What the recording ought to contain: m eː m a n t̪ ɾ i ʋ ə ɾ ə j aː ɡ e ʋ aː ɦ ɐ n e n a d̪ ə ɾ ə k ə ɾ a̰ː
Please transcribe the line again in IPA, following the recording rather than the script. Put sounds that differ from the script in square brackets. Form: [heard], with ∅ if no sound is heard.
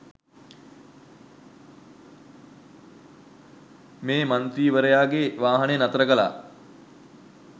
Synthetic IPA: m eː m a n t̪ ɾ [iː] ʋ ə ɾ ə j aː ɡ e ʋ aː ɦ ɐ n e n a [t̪] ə ɾ ə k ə [l] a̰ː